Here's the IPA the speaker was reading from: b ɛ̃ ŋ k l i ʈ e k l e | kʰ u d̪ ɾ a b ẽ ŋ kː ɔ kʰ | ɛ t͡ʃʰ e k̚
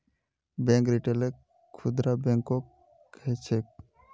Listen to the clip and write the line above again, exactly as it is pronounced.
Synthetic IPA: b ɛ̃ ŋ k ɾ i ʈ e l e | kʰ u d̪ ɾ a b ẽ ŋ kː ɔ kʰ | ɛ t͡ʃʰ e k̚